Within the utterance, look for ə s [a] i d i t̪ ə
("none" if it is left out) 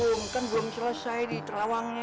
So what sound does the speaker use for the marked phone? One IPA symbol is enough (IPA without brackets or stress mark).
a